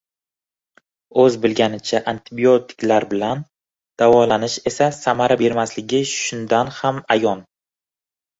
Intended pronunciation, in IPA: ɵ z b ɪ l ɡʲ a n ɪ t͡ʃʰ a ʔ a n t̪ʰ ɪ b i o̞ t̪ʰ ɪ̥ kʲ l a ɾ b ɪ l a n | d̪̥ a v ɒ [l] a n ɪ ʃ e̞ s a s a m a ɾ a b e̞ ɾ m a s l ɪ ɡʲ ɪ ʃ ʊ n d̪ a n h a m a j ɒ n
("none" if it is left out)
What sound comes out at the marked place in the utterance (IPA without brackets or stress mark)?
l